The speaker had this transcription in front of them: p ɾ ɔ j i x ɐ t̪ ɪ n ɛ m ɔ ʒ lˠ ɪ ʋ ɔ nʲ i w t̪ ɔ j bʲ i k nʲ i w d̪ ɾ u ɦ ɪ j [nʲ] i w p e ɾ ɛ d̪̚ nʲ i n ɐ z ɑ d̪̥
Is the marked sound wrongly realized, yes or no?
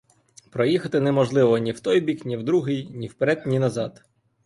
no